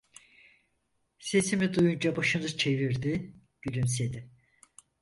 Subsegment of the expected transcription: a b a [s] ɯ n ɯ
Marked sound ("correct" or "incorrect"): incorrect